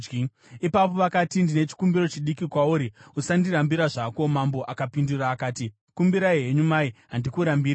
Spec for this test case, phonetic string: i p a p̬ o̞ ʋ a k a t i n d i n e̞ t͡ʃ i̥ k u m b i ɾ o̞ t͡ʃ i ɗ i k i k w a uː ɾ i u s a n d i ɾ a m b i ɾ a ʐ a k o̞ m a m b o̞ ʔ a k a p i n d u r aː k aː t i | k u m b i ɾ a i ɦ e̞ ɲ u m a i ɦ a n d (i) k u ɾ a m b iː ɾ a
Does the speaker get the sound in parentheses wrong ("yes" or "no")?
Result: no